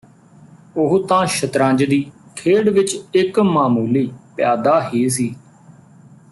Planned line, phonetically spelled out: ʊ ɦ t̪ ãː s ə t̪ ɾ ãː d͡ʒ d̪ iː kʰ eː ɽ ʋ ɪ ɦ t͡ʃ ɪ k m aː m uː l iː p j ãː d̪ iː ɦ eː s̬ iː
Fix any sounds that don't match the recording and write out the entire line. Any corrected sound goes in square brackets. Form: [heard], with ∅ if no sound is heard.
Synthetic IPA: ʊ ɦ t̪ ãː [ʃ] ə t̪ ɾ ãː d͡ʒ d̪ iː kʰ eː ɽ ʋ ɪ [∅] t͡ʃ ɪ k m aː m uː l iː p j [aː] d̪ [aː] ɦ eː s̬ iː